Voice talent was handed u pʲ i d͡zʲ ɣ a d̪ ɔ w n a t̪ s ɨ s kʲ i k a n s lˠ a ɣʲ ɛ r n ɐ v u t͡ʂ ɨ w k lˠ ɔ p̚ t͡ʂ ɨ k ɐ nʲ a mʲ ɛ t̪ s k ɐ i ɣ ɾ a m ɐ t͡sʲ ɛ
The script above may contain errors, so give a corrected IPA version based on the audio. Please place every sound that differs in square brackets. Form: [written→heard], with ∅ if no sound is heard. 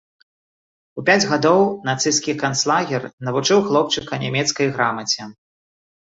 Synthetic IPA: u pʲ [i→a] d͡zʲ ɣ a d̪ ɔ w n a t̪ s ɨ s kʲ i k a n s lˠ a ɣʲ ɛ r n ɐ v u t͡ʂ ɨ w [k→x] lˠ ɔ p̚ t͡ʂ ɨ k ɐ nʲ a mʲ ɛ t̪ s k ɐ [i→j] ɣ ɾ a m ɐ t͡sʲ ɛ